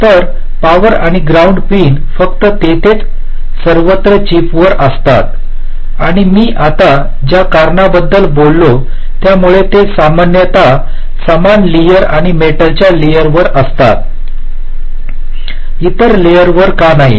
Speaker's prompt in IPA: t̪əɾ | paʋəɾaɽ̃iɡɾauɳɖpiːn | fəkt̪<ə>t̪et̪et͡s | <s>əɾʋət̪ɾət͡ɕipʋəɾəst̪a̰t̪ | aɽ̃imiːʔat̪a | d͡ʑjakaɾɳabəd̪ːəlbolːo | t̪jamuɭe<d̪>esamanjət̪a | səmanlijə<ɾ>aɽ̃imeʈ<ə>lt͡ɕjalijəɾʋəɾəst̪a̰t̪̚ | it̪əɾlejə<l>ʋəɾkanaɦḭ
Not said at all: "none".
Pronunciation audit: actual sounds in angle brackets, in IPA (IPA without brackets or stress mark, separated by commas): ə, s, t̪, ɾ, ə, ɾ